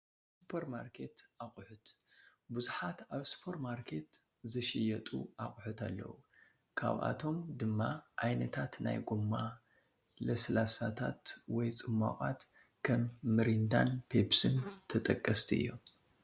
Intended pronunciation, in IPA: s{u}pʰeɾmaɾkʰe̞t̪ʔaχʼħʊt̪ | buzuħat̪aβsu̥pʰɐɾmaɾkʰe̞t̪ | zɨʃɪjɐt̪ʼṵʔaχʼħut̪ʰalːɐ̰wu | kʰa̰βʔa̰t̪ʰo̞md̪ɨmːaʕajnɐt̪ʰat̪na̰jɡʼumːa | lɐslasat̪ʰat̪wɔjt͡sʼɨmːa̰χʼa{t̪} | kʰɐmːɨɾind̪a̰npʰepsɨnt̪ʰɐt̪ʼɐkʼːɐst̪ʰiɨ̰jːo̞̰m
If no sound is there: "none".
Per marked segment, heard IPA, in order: u, t̪

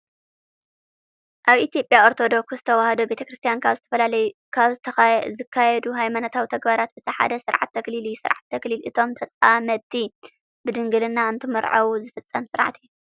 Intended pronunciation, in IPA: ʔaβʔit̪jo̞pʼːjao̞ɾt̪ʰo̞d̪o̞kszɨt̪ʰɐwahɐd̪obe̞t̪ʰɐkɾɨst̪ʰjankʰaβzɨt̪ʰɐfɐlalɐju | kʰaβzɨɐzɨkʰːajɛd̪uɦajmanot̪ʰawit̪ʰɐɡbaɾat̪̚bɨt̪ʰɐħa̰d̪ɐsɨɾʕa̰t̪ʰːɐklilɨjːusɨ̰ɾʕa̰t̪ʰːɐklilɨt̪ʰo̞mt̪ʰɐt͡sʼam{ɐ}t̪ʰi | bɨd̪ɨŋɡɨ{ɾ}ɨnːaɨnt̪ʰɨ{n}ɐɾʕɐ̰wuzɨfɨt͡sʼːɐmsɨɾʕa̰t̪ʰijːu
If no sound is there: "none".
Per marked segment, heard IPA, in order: ɐ, l, m

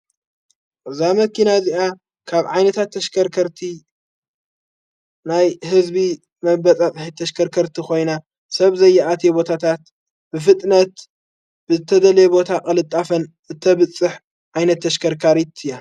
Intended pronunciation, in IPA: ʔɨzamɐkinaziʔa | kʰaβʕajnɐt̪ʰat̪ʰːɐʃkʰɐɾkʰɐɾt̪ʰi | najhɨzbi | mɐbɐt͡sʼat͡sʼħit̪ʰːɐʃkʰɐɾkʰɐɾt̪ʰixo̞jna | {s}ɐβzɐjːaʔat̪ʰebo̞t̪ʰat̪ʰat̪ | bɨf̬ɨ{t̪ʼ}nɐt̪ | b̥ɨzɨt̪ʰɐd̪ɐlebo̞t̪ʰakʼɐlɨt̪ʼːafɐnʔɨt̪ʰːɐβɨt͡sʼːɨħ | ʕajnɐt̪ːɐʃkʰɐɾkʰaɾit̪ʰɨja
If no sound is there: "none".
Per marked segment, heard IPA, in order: s, t̪ʼ

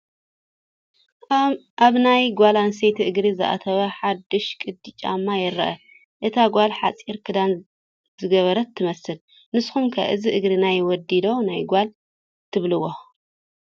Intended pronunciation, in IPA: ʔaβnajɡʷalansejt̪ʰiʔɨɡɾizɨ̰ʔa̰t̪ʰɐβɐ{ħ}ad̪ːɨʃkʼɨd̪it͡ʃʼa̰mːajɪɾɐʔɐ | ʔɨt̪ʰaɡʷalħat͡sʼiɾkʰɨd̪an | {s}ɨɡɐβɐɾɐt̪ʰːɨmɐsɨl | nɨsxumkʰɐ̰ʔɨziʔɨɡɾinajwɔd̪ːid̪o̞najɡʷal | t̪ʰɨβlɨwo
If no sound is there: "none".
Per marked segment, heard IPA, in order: ħ, z

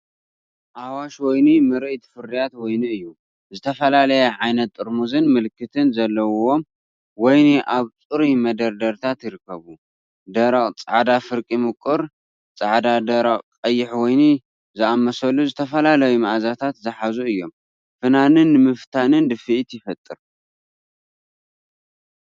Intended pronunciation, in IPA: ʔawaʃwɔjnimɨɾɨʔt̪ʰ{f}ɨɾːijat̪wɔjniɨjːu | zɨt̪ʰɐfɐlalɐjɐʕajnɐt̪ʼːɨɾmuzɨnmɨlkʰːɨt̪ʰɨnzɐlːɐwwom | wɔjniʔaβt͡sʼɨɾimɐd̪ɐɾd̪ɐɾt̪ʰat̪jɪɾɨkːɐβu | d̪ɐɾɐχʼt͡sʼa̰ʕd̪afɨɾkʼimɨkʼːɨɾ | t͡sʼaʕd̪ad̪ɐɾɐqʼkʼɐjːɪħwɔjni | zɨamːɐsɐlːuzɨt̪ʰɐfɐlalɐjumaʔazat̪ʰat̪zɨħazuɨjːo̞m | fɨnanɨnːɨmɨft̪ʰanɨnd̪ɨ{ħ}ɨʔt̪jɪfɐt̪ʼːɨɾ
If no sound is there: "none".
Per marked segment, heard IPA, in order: f, f

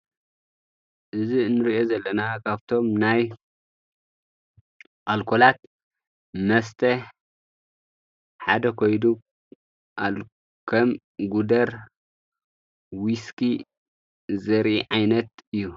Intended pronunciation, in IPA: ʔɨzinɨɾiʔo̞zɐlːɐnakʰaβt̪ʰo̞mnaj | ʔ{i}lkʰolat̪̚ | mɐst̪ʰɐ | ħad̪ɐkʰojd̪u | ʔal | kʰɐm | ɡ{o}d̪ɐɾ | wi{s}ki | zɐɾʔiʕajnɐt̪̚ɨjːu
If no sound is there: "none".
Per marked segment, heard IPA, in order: a, u, s

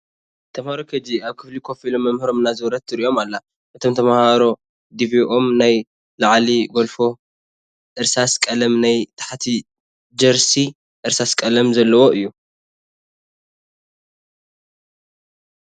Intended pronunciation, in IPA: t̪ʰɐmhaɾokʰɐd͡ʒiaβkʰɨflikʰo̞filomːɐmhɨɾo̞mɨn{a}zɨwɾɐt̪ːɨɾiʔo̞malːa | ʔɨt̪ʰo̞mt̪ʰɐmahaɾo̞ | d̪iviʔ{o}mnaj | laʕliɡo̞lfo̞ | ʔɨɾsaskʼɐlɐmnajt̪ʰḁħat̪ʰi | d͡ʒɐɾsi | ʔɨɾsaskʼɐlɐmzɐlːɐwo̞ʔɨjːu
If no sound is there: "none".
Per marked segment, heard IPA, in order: a, o

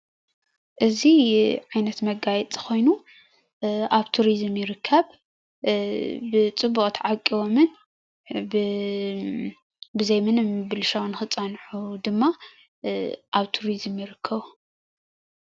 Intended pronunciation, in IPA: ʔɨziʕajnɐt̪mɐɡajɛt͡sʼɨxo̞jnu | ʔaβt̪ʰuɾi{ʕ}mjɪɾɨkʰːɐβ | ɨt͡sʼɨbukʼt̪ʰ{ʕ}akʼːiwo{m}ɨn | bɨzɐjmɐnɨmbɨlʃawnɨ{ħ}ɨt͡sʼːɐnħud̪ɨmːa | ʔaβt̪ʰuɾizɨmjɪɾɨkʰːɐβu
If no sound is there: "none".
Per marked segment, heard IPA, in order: z, ʕ, m, x

